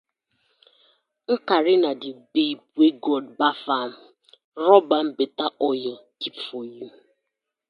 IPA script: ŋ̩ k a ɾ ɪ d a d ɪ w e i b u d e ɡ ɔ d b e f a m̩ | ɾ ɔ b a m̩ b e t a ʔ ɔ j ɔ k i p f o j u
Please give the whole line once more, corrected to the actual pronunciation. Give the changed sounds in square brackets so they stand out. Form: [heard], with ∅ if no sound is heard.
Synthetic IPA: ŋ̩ k a ɾ ɪ [n] a d ɪ [b] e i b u [∅] e ɡ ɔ d b [a] f a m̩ | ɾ ɔ b a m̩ b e t a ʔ ɔ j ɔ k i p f o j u